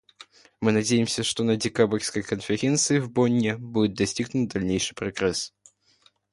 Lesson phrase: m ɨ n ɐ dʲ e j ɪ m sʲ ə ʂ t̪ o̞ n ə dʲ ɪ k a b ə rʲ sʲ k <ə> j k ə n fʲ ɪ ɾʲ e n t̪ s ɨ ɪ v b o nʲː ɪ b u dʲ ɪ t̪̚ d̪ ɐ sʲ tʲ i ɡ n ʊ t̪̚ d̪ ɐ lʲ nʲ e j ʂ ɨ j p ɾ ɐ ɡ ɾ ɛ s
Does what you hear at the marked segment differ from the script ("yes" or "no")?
no